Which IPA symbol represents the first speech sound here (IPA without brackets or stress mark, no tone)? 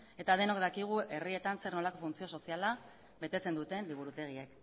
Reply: e̞